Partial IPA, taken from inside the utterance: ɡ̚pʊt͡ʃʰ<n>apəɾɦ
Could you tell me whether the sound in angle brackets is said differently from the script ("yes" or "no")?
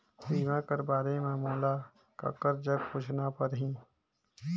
no